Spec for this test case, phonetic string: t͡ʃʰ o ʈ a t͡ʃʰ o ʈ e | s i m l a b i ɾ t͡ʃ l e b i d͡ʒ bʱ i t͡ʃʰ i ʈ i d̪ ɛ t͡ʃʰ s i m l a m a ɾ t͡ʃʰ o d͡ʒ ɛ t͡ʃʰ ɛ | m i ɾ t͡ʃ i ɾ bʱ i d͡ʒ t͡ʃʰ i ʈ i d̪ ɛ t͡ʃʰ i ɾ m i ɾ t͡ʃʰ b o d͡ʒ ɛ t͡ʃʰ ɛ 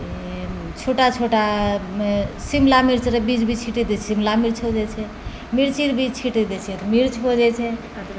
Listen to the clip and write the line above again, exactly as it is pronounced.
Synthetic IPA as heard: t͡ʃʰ o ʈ a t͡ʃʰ o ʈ a | s i m l a m i ɾ t͡ʃ ɾ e b i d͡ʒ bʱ i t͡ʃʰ i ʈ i d̪ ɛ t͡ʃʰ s i m l a m i ɾ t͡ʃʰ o d͡ʒ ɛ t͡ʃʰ ɛ | m i ɾ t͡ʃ i ɾ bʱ i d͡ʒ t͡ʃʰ i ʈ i d̪ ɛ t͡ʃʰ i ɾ m i ɾ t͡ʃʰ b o d͡ʒ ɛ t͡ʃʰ ɛ